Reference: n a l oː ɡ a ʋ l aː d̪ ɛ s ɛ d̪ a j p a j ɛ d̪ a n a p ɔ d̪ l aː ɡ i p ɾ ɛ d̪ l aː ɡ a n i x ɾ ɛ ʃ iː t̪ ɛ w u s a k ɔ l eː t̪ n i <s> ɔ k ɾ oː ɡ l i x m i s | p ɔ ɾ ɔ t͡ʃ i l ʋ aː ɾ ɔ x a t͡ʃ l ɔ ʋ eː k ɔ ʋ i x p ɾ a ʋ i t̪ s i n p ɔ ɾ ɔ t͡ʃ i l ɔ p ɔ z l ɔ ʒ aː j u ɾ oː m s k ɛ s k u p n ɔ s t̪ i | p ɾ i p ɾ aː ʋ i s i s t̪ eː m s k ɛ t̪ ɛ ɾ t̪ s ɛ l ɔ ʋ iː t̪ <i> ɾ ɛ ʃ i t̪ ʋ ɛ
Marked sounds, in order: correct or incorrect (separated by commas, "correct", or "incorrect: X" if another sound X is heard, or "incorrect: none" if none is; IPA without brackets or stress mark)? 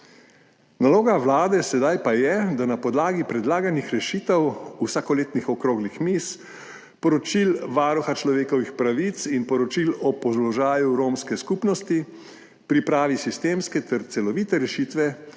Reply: incorrect: x, incorrect: ɛ